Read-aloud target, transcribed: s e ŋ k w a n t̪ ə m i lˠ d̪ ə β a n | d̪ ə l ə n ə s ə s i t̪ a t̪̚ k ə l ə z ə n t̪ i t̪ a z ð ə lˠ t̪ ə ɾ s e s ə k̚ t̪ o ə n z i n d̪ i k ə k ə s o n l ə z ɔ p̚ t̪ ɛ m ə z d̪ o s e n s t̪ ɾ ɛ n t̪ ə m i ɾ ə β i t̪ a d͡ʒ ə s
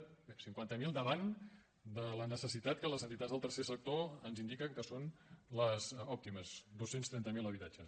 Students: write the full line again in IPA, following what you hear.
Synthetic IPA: s i ŋ k w a n t̪ ə m i lˠ d̪ ə β a n | d̪ ə l ə n ə s ə s i t̪ a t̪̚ k ə l ə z ə n t̪ i t̪ a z ð ə lˠ t̪ ə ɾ s e s ə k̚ t̪ o ə n z i n d̪ i k ə k ə s o n l ə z ɔ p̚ t̪ i m ə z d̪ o s e n s t̪ ɾ ɛ n t̪ ə m i l ə β i t̪ a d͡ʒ ə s